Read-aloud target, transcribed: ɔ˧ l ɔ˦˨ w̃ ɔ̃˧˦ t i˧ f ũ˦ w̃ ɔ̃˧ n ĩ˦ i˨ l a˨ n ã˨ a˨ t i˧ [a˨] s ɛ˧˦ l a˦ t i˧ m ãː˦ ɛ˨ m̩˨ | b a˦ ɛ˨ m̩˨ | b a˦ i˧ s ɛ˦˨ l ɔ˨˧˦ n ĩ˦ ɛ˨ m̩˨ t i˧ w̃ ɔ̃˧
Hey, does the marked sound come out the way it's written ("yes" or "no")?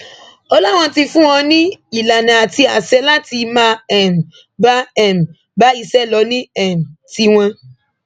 yes